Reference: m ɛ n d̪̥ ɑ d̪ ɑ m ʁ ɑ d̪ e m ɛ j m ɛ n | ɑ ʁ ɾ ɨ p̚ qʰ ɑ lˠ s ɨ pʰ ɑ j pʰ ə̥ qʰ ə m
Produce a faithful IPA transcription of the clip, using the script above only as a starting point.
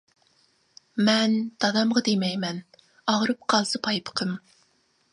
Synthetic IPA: m ɛ n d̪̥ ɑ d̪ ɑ m ʁ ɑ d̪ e m ɛ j m ɛ n | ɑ ʁ ɾ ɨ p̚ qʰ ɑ lˠ s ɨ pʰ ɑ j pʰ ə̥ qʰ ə m